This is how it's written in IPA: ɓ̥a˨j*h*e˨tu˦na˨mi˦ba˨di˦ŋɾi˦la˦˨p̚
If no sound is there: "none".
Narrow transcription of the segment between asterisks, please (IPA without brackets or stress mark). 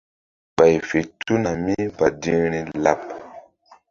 f